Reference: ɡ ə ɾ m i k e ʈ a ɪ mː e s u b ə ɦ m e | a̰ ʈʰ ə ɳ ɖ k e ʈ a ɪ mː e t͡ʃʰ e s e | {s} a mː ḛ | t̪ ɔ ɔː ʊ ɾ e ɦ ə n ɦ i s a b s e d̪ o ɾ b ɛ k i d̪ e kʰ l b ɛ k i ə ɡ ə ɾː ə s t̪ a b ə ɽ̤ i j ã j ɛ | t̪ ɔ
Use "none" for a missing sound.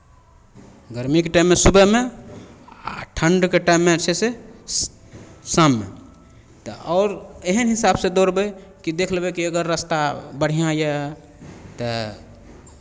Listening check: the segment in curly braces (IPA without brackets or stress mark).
s